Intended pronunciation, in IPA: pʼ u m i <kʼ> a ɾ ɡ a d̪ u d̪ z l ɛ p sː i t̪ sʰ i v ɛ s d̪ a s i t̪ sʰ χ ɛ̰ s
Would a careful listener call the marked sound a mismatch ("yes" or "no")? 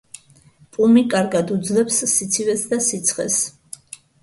no